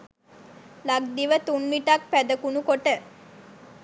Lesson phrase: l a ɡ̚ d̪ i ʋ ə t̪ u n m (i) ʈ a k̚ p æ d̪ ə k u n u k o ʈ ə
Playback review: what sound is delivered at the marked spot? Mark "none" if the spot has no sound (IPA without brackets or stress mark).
i